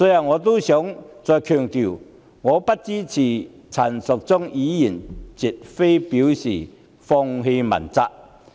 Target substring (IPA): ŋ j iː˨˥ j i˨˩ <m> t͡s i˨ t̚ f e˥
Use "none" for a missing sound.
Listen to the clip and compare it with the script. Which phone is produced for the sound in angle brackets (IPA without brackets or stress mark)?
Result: n